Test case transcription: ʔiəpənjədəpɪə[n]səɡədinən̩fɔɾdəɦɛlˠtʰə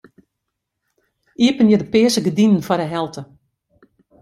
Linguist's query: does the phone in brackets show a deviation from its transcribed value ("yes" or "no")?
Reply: yes